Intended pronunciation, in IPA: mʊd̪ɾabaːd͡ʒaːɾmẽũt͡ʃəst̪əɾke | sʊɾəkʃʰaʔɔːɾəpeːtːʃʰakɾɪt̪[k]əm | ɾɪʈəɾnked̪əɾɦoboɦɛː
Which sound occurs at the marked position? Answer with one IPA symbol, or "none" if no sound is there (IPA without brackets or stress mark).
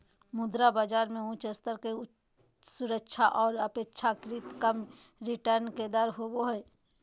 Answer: k